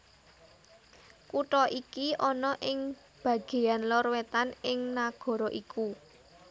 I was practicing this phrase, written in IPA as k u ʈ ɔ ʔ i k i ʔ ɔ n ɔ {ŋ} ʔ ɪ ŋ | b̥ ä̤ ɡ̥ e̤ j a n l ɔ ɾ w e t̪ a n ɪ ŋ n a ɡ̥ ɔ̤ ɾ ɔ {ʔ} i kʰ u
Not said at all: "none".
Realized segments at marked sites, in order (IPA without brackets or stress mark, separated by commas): none, ʔ